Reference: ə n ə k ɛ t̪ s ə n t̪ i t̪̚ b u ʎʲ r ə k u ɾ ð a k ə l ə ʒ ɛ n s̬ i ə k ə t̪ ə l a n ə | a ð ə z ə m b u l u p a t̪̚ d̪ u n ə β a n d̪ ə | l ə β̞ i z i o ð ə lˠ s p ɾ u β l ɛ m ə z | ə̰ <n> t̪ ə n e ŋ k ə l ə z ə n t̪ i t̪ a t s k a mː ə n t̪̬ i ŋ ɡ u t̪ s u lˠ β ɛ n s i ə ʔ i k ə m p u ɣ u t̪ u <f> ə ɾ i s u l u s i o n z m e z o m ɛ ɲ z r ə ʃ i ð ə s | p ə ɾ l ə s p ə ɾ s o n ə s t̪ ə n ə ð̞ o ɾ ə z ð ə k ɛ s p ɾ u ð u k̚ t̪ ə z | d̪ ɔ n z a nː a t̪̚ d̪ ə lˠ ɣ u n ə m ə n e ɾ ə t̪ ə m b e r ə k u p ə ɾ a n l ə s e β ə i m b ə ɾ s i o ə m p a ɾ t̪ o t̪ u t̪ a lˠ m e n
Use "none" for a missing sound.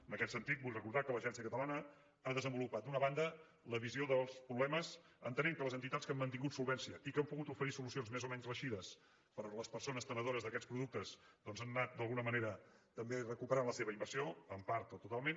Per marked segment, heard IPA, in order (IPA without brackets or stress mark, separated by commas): n, f